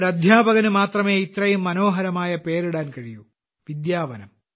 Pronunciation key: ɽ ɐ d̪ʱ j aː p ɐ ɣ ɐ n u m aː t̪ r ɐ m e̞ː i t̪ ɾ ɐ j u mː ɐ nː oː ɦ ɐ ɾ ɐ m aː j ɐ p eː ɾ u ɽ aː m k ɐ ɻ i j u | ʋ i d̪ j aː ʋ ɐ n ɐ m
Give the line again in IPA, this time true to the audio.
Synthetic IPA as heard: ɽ ɐ d̪ʱ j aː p ɐ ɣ ɐ n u m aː t̪ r ɐ m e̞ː i t̪ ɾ ɐ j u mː ɐ n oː ɦ ɐ ɾ ɐ m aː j ɐ p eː ɾ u ɽ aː n k ɐ ɻ i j u | ʋ i d̪ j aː ʋ ɐ n ɐ m